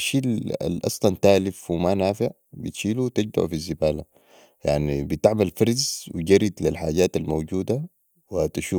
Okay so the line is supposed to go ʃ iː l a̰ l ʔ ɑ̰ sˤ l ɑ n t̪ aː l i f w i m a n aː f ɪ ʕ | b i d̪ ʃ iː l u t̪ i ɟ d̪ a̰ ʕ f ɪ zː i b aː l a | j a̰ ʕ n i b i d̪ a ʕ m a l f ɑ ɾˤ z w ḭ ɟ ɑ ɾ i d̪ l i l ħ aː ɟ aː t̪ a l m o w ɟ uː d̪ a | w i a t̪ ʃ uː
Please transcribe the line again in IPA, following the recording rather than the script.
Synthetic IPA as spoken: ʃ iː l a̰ l ʔ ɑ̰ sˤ l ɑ n t̪ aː l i f w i m a n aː f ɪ ʕ | b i t̪ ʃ iː l u t̪ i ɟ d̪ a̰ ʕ f i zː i b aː l a | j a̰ ʕ n i b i t̪ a ʕ m a l f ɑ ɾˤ z w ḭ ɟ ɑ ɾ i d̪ l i l ħ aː ɟ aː t̪ a l m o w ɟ uː d̪ a | w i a t̪ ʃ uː